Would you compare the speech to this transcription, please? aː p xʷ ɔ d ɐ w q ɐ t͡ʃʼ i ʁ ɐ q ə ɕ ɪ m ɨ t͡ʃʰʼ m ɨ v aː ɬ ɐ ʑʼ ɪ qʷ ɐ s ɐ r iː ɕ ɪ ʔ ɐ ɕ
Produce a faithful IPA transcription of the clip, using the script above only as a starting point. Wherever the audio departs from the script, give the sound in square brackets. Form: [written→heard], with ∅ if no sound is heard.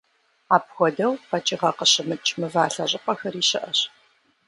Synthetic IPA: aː p xʷ ɔ d ɐ w q ɐ t͡ʃʼ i ʁ ɐ q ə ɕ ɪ m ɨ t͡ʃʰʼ m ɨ v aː ɬ ɐ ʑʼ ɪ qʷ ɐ [s→x] ɐ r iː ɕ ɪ ʔ ɐ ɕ